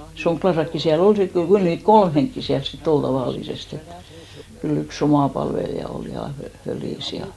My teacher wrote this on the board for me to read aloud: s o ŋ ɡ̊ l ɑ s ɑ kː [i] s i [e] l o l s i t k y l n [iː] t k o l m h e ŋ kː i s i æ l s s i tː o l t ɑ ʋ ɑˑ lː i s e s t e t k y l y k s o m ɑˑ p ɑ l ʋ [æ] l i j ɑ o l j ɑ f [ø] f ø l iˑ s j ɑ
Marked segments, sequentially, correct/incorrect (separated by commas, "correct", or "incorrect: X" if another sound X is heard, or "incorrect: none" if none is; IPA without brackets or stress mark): correct, incorrect: æ, correct, incorrect: e, correct